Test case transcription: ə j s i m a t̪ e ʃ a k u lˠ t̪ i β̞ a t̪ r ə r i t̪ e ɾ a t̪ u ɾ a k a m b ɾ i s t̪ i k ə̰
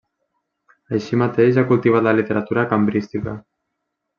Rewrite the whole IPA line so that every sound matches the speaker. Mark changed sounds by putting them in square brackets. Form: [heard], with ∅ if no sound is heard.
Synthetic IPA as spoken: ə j [ʃ] i m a t̪ e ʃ a k u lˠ t̪ i β̞ a t̪ [l] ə [l] i t̪ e ɾ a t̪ u ɾ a k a m b ɾ i s t̪ i k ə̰